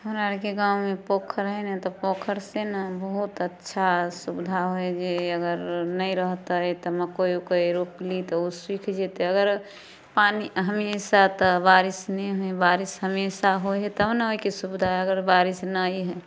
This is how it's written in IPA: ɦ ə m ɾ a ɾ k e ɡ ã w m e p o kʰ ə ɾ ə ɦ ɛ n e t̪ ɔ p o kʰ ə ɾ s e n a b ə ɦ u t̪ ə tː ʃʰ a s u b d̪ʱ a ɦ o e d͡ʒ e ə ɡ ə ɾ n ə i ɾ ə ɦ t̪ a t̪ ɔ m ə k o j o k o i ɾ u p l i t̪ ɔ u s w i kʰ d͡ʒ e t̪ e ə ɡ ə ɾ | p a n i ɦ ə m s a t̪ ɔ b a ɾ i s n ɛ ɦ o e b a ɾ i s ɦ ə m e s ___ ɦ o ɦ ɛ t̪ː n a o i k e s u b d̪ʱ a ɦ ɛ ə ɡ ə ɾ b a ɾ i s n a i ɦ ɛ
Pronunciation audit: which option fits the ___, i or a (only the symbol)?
a